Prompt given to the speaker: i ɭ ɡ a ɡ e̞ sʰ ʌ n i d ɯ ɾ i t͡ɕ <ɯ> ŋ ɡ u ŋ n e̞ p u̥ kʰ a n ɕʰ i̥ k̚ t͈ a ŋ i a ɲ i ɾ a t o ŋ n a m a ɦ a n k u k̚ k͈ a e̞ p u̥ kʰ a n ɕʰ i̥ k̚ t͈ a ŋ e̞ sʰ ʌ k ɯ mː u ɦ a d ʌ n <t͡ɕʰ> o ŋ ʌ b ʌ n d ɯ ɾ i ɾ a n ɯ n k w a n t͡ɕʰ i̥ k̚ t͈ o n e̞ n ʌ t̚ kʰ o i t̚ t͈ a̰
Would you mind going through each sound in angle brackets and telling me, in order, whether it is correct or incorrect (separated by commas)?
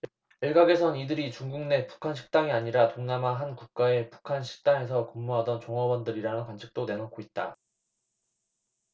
incorrect, incorrect